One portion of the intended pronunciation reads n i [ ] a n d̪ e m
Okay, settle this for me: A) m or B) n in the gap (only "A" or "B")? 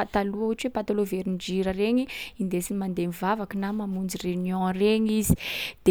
A